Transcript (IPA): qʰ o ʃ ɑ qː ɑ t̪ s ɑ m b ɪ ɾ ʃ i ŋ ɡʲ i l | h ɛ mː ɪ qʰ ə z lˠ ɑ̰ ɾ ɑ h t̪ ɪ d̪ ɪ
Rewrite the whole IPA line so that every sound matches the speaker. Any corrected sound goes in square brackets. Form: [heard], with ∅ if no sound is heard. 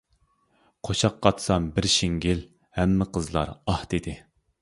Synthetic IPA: qʰ o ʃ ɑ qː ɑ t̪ s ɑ m b ɪ ɾ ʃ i ŋ ɡʲ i l | h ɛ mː ɪ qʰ ə z lˠ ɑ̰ ɾ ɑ h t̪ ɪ d̪ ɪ